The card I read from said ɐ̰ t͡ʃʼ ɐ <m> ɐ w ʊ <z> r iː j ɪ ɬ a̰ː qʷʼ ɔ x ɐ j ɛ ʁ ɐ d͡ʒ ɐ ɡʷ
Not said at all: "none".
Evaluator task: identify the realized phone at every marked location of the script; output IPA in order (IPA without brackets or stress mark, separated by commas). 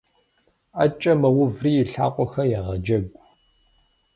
m, v